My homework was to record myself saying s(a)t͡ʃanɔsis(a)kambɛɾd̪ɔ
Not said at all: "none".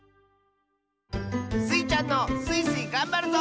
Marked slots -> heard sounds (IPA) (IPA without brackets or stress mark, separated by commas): i, i